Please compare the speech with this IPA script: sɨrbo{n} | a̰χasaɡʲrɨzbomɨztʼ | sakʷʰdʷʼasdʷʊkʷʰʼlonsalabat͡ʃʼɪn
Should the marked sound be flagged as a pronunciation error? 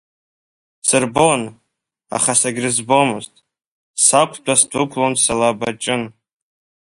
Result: no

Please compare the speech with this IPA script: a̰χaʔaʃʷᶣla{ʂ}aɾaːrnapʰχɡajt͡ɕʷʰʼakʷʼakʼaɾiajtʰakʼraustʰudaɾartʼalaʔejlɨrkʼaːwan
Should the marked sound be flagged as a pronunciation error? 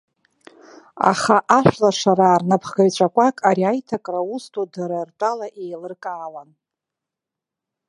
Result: no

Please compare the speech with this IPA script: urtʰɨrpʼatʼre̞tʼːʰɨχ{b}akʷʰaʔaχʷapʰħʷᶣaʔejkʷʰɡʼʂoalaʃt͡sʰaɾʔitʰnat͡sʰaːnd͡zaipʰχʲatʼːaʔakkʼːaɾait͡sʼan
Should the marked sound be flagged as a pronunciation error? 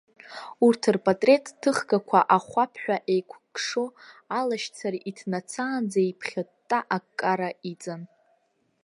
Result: yes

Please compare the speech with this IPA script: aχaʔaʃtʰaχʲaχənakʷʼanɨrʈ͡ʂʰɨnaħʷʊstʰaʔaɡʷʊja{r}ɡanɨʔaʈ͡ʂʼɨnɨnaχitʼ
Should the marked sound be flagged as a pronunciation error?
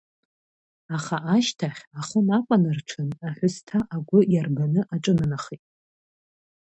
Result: no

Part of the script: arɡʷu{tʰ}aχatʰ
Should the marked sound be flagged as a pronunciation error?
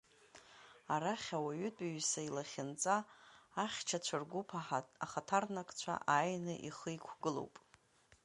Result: yes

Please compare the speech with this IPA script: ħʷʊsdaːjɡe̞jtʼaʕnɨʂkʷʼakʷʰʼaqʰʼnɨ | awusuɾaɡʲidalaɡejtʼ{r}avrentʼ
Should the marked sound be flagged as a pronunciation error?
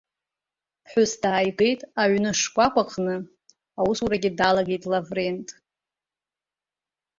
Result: yes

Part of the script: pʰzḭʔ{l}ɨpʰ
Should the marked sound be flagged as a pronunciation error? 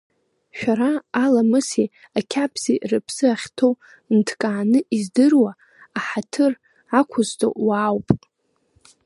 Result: yes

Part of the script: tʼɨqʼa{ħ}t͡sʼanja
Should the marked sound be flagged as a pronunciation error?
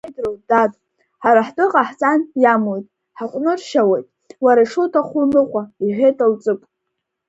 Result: no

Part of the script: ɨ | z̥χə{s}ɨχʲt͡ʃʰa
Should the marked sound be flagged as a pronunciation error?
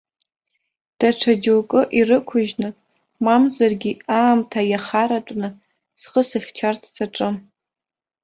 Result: no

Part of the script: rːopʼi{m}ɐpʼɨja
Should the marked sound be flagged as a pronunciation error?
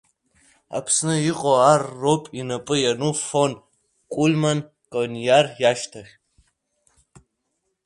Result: yes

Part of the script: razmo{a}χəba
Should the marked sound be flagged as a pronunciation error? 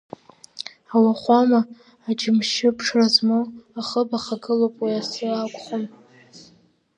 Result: no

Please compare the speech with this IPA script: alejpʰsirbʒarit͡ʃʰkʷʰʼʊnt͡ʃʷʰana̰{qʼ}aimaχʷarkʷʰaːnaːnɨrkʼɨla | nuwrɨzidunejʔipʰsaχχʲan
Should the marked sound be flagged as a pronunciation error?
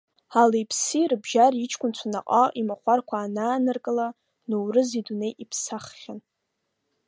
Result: no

